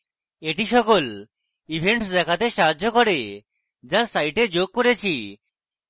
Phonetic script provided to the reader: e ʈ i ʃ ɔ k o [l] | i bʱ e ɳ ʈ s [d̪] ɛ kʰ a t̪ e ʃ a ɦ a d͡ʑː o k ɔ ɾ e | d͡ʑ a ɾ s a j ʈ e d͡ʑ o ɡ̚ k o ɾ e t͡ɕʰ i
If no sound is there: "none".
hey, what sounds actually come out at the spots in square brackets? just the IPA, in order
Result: l, d̪

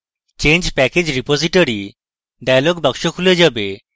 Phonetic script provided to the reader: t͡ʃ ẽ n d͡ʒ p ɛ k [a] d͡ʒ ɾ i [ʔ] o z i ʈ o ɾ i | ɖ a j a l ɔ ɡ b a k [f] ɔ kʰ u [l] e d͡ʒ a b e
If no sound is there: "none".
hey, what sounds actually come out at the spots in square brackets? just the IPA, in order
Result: e, p, ʃ, l

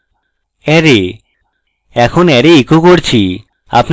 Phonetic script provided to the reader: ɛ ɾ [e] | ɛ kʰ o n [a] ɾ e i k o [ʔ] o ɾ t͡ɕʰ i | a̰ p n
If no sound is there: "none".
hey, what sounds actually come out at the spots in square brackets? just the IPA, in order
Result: e, ɛ, k

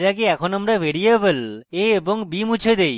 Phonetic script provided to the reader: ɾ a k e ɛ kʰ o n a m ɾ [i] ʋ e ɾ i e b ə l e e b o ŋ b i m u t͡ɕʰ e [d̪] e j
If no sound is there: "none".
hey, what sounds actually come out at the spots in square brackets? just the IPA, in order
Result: a, d̪

